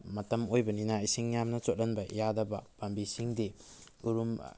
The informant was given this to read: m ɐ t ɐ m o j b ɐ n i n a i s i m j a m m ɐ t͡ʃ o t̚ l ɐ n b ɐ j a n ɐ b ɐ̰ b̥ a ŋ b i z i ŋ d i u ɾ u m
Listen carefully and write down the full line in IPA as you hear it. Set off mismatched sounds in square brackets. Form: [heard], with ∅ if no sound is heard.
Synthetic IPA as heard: m ɐ t ɐ m o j b ɐ n i n a i s i [ŋ] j a m [n] ɐ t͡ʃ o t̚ l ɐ n b ɐ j a [d] ɐ b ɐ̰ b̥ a [m] b i [s] i ŋ d i u ɾ u m